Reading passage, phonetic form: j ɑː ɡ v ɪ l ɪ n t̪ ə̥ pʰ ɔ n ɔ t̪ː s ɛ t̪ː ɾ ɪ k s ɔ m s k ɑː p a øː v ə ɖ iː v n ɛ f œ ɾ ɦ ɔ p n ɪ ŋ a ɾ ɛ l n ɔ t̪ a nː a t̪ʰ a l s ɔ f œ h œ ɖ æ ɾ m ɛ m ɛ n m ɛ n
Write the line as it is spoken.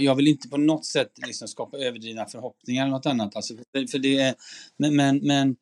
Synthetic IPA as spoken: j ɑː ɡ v ɪ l ɪ n t̪ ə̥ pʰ ɔ n ɔ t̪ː s ɛ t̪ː l ɪ k s ɔ m s k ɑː p a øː v ə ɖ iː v n a f œ ɾ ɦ ɔ p n ɪ ŋ a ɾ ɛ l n ɔ t̪ a nː a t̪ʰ a l s ɔ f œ f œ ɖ ɛ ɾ m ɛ m ɛ n m ɛ n